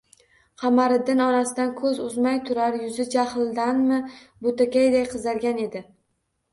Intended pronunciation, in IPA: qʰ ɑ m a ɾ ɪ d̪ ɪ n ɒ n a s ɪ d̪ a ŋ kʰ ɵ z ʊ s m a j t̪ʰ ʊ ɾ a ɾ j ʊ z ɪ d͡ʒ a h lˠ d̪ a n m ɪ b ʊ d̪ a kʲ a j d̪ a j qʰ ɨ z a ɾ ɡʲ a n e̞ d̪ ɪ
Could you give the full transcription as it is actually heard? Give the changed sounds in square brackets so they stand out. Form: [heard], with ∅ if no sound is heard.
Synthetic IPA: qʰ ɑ m a ɾ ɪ d̪ ɪ n ɒ n a s ɪ d̪ a [n] kʰ ɵ z ʊ [z] m a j t̪ʰ ʊ ɾ a ɾ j ʊ z ɪ d͡ʒ a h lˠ d̪ a n m ɪ b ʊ [t̪] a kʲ a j d̪ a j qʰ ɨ z a ɾ ɡʲ a n e̞ d̪ ɪ